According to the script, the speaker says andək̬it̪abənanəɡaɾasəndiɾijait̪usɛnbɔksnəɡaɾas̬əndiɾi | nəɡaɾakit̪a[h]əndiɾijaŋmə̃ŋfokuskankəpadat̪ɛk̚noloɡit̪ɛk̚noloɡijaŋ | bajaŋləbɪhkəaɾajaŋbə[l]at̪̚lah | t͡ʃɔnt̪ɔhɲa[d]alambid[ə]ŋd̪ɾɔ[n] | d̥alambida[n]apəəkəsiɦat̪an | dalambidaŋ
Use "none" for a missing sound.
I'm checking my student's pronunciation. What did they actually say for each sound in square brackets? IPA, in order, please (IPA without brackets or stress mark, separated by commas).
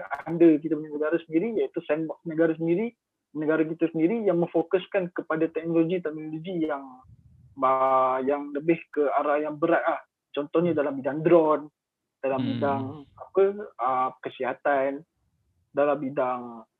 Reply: s, ɾ, d, a, n, ŋ